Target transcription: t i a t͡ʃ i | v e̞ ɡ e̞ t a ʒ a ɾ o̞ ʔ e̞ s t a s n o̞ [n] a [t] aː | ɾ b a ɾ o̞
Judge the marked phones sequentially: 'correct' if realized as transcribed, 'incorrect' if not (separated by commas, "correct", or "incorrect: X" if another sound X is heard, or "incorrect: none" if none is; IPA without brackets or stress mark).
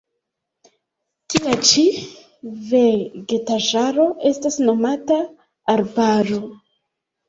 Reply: incorrect: m, correct